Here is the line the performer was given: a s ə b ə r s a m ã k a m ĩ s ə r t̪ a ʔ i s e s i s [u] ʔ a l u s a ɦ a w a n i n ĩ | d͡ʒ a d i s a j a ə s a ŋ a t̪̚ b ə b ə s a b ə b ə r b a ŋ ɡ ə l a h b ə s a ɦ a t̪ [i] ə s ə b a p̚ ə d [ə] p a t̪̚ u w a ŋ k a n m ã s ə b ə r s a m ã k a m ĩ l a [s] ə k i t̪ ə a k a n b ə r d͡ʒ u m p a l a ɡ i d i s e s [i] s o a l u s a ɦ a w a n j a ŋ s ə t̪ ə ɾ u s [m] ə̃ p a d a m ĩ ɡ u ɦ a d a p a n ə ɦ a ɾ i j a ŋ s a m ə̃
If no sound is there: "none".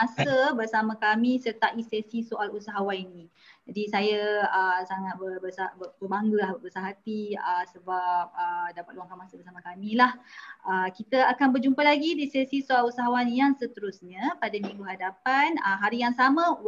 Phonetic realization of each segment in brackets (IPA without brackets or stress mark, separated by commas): o, i, a, h, i, ɲ